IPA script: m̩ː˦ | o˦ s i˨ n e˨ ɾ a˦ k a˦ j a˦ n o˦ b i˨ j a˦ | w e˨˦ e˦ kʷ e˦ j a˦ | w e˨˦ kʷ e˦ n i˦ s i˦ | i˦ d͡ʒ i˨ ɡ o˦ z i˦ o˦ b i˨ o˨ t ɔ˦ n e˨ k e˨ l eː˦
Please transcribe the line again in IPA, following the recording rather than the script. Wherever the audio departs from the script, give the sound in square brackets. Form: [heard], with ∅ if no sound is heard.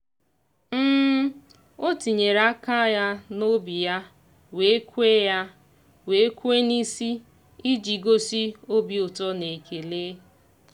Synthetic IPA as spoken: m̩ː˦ | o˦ [t] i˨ [ɲ] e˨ ɾ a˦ k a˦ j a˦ n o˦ b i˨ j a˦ | w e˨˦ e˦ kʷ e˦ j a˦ | w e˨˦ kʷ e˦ n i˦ s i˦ | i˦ d͡ʒ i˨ ɡ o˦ [s] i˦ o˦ b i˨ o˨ t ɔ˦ n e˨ k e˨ l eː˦